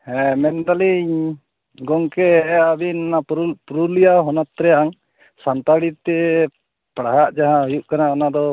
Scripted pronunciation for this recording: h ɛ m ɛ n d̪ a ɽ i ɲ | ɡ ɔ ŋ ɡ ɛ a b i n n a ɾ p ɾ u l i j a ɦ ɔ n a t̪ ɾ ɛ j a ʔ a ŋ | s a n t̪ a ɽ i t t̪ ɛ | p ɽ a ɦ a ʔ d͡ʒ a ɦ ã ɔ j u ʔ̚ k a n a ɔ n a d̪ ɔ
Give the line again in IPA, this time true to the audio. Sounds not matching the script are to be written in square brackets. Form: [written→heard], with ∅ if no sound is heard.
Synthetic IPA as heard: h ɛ m ɛ n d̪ a [ɽ→l] i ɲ | ɡ ɔ ŋ [ɡ→k] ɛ a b i n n a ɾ p ɾ u l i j a ɦ ɔ n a t̪ ɾ ɛ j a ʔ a ŋ | s a n t̪ a ɽ i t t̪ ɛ | p ɽ a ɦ a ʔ d͡ʒ a ɦ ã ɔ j u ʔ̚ k a n a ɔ n a d̪ ɔ

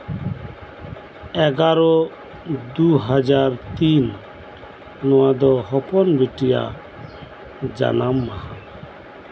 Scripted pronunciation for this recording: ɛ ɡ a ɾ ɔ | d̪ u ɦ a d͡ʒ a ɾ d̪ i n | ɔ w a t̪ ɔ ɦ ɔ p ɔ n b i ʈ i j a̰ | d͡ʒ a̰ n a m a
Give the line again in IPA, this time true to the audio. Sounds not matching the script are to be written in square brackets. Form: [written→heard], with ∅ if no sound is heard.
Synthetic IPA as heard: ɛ ɡ a ɾ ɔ | d̪ u ɦ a d͡ʒ a ɾ [d̪→t̪] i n | ɔ w a [t̪→d̪] ɔ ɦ ɔ p ɔ n b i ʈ i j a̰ | d͡ʒ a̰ n a m a

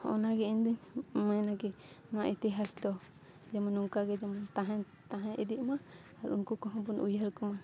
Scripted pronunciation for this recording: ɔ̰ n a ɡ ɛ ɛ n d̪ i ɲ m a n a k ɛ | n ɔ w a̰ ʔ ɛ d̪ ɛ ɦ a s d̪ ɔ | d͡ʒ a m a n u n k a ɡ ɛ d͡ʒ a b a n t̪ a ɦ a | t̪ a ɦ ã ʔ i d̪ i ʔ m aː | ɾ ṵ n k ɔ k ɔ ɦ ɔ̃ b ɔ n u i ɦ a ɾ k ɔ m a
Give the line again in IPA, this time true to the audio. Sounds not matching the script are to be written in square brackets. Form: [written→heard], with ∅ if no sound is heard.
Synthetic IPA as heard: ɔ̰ n a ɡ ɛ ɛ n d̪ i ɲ m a n a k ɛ | n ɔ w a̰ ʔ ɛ [d̪→t̪] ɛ ɦ a s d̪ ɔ | d͡ʒ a m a n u [n→ŋ] k a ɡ ɛ d͡ʒ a [b→m] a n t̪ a ɦ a | t̪ a ɦ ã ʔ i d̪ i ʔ m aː | ɾ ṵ n k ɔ k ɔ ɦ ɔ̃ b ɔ n u [i→j] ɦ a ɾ k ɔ m a

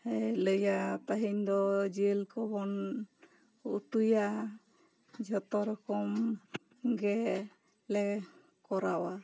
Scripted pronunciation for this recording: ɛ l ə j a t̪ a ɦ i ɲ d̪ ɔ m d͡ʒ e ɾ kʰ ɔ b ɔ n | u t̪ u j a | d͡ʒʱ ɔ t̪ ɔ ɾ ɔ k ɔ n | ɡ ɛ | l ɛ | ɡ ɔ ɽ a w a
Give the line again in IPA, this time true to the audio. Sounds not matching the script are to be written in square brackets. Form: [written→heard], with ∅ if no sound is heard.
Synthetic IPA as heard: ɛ l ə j a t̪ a ɦ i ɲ d̪ ɔ [m→∅] d͡ʒ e [ɾ→l] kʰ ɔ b ɔ n | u t̪ u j a | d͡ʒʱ ɔ t̪ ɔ ɾ ɔ k ɔ [n→m] | ɡ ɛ | l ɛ | [ɡ→k] ɔ [ɽ→ɾ] a w a

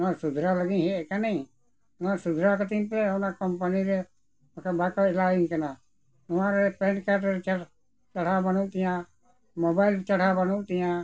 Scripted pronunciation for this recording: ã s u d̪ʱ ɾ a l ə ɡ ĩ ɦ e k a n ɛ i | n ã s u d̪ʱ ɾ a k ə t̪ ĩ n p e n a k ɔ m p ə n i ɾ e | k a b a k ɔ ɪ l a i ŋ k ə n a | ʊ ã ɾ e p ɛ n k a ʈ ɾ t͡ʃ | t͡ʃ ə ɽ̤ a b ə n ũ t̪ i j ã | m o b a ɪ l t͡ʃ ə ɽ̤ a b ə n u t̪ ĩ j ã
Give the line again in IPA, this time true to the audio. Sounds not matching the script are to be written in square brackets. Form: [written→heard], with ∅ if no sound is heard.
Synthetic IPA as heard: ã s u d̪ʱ ɾ a l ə ɡ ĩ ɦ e k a n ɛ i | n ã s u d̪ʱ ɾ a k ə t̪ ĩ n p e n a k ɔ m p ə n i ɾ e | k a b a k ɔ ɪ l a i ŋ k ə n a | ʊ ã ɾ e p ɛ n k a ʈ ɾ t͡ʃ | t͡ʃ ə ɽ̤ a b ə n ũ t̪ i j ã | m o b a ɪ l t͡ʃ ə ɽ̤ a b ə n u t̪ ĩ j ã

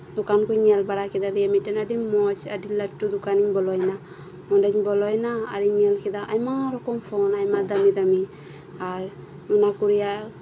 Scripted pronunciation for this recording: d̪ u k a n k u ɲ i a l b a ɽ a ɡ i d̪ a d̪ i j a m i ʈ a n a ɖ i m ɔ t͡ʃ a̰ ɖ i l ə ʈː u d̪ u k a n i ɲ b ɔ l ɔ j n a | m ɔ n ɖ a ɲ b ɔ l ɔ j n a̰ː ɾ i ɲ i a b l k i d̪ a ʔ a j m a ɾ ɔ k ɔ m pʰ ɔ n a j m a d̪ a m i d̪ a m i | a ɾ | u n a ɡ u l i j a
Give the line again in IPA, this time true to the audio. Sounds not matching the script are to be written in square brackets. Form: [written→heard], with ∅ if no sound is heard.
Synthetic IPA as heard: d̪ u k a n k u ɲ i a l b a ɽ a [ɡ→k] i d̪ a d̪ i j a m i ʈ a n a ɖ i m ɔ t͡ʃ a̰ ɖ i l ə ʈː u d̪ u k a n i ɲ b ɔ l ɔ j n a | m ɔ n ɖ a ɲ b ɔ l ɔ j n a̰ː ɾ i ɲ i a [b→∅] l k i d̪ a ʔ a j m a ɾ ɔ k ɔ m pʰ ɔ n a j m a d̪ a m i d̪ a m i | a ɾ | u n a [ɡ→k] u [l→ɾ] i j a

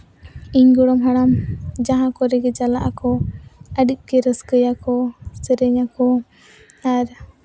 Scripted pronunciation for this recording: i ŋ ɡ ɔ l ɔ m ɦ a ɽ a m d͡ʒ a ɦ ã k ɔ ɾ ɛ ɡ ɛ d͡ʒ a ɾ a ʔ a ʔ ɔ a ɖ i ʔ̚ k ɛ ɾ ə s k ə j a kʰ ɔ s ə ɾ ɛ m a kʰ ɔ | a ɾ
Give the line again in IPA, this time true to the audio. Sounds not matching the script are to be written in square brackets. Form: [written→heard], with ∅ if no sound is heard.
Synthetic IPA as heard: i [ŋ→ɲ] ɡ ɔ [l→ɽ] ɔ m ɦ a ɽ a m d͡ʒ a ɦ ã k ɔ ɾ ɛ ɡ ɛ d͡ʒ a [ɾ→l] a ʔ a [ʔ→k] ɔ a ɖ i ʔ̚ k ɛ ɾ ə s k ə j a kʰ ɔ s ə ɾ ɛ [m→ɲ] a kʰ ɔ | a ɾ

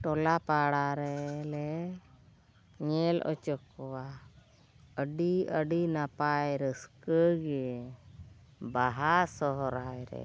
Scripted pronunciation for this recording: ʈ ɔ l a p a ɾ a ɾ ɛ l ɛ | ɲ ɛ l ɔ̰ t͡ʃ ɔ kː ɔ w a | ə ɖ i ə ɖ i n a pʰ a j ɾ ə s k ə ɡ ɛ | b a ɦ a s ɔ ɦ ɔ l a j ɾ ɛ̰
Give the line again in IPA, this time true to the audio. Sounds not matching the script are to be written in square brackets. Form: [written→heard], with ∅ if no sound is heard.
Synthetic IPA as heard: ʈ ɔ l a p a [ɾ→ɽ] a ɾ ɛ l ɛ | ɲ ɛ l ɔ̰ t͡ʃ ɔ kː ɔ w a | ə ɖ i ə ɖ i n a [pʰ→p] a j ɾ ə s k ə ɡ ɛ | b a ɦ a s ɔ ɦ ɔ [l→ɾ] a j ɾ ɛ̰

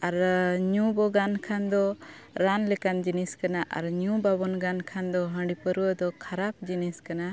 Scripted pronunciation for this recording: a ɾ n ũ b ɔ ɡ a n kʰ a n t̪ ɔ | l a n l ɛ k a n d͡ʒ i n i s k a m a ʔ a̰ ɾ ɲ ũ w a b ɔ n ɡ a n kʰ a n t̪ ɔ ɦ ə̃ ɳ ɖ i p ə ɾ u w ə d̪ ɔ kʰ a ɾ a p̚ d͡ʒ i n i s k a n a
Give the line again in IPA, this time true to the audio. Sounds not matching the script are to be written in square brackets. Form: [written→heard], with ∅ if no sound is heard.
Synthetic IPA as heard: a ɾ [n→ɲ] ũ b ɔ ɡ a n kʰ a n [t̪→d̪] ɔ | [l→ɾ] a n l ɛ k a n d͡ʒ i n i s k a [m→n] a ʔ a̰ ɾ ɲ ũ [w→b] a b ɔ n ɡ a n kʰ a n [t̪→d̪] ɔ ɦ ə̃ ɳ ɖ i p ə ɾ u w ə d̪ ɔ kʰ a ɾ a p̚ d͡ʒ i n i s k a n a

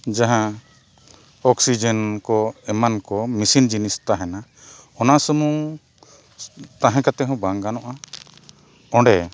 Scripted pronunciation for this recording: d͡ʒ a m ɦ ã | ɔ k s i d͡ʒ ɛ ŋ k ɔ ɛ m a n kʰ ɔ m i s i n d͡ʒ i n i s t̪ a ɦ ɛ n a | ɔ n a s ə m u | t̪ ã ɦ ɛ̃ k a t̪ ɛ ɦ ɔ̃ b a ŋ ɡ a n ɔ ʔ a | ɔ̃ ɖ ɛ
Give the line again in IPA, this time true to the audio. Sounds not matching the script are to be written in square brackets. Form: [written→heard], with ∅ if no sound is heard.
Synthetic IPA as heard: d͡ʒ a [m→∅] ɦ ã | ɔ k s i d͡ʒ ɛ [ŋ→n] k ɔ ɛ m a n [kʰ→k] ɔ m i s i n d͡ʒ i n i s t̪ a ɦ ɛ n a | ɔ n a s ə m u | t̪ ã ɦ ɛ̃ k a t̪ ɛ ɦ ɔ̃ b a ŋ ɡ a n ɔ ʔ a | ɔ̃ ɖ ɛ

